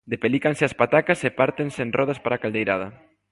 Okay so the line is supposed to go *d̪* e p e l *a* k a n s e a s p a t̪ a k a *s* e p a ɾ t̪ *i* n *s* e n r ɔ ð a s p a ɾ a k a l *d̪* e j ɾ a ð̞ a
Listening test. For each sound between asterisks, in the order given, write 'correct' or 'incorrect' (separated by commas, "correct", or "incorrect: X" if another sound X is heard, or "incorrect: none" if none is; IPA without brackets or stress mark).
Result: correct, incorrect: i, correct, incorrect: e, correct, correct